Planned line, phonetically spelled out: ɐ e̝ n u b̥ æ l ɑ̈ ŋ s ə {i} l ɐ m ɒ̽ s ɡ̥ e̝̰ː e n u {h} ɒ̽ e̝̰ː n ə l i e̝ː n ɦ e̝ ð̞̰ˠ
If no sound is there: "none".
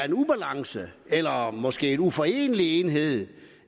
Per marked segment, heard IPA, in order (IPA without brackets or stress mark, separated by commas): e, f